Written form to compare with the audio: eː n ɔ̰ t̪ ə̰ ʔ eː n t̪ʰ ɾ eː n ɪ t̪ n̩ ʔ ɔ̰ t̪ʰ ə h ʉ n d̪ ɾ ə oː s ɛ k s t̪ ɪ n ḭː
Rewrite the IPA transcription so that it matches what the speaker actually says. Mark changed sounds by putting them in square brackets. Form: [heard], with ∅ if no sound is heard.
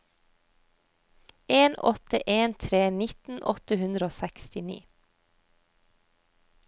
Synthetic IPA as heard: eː n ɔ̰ t̪ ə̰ ʔ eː n t̪ʰ ɾ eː n ɪ t̪ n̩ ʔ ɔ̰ [t̪] ə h ʉ n d̪ ɾ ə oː s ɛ k s t̪ ɪ n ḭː